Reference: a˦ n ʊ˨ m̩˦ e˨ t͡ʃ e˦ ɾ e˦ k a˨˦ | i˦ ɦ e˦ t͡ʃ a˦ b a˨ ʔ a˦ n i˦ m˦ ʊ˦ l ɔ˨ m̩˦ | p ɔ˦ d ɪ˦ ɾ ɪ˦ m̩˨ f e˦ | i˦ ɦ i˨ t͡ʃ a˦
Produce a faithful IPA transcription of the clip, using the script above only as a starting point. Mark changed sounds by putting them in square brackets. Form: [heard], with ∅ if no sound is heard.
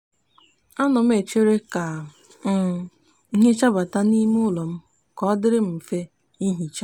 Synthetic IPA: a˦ n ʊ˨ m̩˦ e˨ t͡ʃ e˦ ɾ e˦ k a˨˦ | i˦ ɦ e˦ t͡ʃ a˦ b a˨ [t] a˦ n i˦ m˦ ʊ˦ l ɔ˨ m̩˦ | [k] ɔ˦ d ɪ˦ ɾ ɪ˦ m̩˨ f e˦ | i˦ ɦ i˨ t͡ʃ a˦